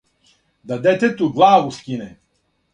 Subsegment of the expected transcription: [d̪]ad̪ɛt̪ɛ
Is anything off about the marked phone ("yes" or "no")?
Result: no